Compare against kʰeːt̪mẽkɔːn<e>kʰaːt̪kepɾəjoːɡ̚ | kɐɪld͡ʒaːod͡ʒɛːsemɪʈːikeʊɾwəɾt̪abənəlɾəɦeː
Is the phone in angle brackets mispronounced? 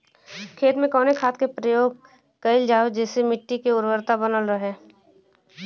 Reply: no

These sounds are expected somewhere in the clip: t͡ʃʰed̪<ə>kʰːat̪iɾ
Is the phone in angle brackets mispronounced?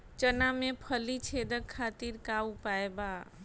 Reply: no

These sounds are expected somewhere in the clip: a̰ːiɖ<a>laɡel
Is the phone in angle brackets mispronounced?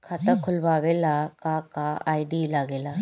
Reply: yes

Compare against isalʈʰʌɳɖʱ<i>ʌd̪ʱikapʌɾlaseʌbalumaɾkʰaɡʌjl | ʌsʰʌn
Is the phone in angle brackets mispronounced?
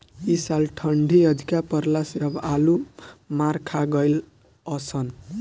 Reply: no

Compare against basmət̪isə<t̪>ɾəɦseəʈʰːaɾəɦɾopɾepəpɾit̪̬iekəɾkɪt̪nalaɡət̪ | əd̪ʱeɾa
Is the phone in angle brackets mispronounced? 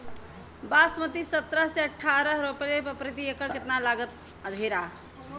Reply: no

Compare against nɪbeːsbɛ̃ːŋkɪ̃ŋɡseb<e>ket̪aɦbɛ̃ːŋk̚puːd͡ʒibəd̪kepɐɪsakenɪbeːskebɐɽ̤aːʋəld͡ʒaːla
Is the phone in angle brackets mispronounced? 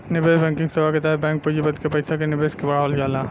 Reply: yes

